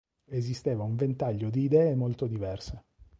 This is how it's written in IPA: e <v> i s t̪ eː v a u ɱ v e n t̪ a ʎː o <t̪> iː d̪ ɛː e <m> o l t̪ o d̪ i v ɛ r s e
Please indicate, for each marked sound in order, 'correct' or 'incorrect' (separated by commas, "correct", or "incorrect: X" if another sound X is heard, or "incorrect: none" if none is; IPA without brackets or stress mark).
incorrect: z, incorrect: d̪, correct